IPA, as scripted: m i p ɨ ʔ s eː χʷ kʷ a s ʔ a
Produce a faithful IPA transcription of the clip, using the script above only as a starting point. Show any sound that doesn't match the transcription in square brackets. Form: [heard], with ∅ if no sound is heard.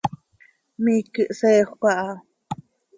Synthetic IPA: m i [k] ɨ ʔ s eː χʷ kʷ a [∅] ʔ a